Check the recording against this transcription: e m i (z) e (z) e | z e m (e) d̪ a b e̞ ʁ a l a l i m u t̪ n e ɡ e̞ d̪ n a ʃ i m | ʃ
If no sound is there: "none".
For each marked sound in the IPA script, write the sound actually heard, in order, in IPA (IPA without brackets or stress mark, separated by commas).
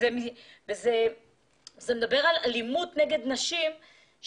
v, z, e